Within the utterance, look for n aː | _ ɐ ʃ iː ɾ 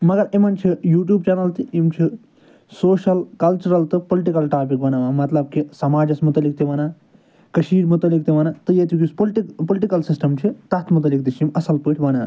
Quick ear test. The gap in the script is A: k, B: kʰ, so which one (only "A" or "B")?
A